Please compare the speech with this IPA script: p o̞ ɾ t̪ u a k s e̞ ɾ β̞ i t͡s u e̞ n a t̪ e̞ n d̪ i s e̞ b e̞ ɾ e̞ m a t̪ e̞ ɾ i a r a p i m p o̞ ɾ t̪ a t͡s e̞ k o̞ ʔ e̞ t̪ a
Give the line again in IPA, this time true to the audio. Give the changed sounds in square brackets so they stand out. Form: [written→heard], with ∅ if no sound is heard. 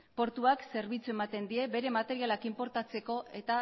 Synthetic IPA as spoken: p o̞ ɾ t̪ u a k s e̞ ɾ β̞ i t͡s u e̞ [n→m] a t̪ e̞ n d̪ i [s→∅] e̞ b e̞ ɾ e̞ m a t̪ e̞ ɾ i a [r→l] a [p→k] i m p o̞ ɾ t̪ a t͡s e̞ k o̞ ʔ e̞ t̪ a